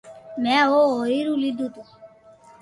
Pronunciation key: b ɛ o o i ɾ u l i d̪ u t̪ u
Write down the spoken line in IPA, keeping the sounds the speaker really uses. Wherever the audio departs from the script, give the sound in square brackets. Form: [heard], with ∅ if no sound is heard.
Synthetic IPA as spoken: [m] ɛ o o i ɾ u l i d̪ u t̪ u